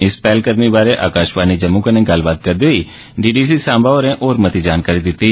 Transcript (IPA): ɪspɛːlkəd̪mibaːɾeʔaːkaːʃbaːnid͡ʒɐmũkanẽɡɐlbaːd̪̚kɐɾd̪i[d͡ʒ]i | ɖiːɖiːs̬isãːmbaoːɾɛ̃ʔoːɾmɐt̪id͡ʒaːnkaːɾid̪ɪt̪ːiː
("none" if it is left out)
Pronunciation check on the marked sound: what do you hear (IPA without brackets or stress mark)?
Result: none